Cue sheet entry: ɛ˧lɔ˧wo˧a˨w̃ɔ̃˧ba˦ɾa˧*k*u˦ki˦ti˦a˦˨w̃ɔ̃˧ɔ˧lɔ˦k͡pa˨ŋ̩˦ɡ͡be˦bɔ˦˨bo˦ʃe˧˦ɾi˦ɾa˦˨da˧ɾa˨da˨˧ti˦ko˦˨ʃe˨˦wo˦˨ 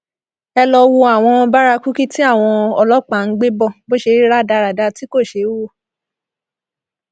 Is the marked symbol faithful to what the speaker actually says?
yes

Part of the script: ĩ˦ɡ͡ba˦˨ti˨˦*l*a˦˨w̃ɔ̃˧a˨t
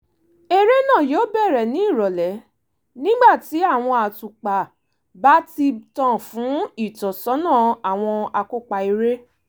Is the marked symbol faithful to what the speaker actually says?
no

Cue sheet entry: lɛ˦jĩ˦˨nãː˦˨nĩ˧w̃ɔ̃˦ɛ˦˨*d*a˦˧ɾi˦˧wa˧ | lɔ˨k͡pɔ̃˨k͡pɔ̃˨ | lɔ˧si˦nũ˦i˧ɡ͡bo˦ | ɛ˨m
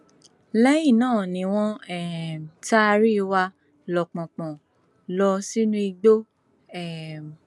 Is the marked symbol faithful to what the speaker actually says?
no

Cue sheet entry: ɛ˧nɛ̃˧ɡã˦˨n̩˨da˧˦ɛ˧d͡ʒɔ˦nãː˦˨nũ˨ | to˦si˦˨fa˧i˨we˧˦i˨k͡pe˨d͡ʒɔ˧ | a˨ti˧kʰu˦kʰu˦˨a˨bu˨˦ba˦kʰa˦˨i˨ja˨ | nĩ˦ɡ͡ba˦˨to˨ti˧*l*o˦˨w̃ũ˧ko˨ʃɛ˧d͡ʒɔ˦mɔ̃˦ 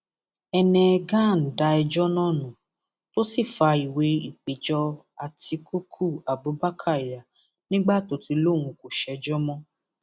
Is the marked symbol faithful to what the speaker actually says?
yes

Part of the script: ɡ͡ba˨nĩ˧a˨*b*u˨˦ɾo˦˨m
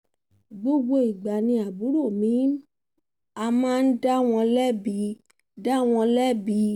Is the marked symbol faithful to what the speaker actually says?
yes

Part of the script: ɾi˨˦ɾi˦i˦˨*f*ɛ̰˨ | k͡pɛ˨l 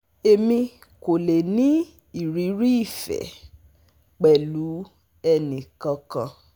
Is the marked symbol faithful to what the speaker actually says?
yes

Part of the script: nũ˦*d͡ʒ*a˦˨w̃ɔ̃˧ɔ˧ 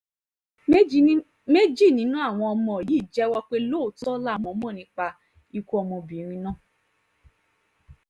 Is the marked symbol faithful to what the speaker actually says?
no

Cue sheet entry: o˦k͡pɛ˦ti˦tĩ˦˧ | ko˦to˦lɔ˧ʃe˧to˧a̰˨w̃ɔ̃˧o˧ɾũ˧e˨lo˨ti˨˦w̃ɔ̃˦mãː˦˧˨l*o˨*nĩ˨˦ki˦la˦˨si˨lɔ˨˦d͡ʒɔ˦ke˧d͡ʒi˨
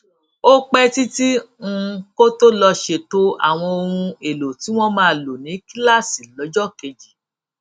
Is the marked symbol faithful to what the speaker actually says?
yes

